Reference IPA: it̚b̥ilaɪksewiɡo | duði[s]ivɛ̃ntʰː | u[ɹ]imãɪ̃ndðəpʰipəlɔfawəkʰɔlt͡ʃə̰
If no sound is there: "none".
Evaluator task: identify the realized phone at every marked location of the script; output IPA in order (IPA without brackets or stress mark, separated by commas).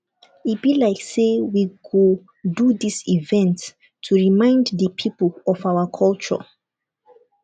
s, ɹ